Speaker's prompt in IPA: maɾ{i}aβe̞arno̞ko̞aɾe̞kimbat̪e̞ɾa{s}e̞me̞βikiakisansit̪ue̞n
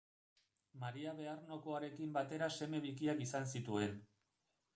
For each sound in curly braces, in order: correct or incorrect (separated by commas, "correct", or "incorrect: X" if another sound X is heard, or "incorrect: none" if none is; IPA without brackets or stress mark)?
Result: correct, correct